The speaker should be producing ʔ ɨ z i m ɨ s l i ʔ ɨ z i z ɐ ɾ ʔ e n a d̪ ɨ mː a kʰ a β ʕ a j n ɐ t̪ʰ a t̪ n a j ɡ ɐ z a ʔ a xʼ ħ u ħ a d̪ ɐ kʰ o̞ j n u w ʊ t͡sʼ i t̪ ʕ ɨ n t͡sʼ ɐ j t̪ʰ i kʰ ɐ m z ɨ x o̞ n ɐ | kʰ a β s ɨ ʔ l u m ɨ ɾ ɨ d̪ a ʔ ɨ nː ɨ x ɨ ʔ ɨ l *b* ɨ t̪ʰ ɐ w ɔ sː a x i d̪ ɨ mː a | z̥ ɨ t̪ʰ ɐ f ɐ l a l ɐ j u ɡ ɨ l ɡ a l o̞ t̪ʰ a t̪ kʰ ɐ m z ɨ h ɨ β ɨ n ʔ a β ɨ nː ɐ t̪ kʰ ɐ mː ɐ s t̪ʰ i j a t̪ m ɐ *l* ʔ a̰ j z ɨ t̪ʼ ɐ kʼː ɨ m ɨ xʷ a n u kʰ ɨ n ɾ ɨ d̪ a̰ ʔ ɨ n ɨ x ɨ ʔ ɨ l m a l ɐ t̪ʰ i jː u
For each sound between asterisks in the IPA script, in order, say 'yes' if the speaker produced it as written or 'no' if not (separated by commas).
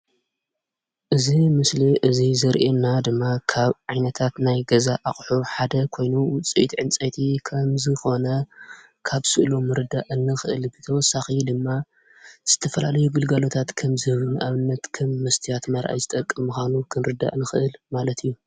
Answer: yes, no